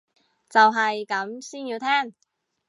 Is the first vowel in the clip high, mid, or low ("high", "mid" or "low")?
low